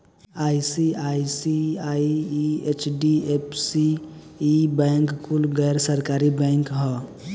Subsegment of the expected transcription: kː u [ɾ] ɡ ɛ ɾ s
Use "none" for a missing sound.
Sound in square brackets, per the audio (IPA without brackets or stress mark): l